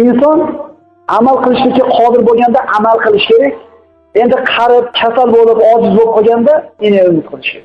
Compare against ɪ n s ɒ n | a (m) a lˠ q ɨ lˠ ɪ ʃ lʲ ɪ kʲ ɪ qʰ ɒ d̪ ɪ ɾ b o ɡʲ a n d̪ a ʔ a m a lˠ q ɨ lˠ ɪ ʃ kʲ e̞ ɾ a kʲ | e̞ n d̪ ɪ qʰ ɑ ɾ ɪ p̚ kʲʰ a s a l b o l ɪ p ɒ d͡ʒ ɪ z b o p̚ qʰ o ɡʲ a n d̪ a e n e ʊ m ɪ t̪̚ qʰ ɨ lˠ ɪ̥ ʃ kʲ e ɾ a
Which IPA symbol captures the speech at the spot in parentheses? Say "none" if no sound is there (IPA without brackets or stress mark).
m